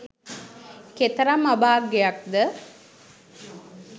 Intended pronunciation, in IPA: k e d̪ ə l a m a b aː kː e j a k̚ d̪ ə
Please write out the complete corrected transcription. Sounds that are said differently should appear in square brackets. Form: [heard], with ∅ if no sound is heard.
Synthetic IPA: k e [t̪] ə [ɾ] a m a b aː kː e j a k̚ d̪ ə